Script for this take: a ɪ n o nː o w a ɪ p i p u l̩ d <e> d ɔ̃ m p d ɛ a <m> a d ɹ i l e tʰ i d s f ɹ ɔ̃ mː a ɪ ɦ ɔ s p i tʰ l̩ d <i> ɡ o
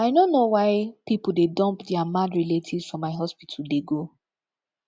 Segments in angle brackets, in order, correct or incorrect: correct, correct, incorrect: e

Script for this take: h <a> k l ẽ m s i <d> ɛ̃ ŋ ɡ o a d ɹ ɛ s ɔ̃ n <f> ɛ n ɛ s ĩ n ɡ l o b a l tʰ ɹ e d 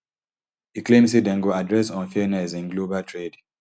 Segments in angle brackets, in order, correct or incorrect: incorrect: i, correct, correct

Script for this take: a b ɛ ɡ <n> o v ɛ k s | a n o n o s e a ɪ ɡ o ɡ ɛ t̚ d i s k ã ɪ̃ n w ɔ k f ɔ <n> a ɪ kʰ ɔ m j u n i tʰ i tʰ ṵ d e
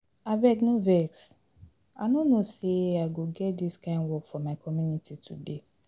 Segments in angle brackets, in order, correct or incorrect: correct, incorrect: m

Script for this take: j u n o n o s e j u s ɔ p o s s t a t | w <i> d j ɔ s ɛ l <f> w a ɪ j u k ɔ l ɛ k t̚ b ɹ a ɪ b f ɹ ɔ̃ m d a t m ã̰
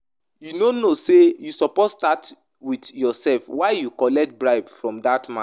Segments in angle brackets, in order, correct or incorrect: correct, correct

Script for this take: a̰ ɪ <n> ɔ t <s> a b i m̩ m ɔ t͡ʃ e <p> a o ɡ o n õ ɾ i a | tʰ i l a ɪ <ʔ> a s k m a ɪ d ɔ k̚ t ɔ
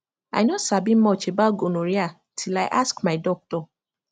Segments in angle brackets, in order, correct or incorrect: correct, correct, incorrect: b, correct

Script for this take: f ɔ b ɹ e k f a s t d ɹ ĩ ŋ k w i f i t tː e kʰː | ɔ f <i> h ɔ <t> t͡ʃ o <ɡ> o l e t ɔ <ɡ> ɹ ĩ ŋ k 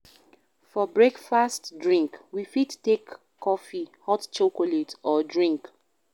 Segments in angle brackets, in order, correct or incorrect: correct, correct, incorrect: k, incorrect: d

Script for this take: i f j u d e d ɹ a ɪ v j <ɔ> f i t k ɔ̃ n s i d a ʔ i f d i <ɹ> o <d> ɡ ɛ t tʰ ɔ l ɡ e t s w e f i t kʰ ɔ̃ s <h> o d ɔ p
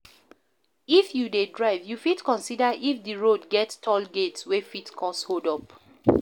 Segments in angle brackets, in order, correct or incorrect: incorrect: u, correct, correct, correct

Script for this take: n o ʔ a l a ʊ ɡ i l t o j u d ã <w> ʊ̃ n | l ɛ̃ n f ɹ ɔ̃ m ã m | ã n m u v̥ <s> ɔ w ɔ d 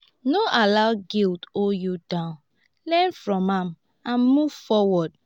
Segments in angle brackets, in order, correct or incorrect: incorrect: none, incorrect: f

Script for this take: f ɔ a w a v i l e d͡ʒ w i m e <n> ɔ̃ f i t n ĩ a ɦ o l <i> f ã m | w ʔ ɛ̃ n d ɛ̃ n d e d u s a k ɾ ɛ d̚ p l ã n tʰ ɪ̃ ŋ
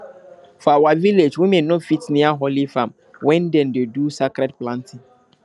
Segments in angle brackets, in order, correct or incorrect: correct, correct

